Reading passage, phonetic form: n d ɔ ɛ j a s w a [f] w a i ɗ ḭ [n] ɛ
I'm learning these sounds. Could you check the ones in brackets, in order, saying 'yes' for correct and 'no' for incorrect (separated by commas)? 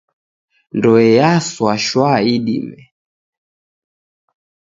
no, no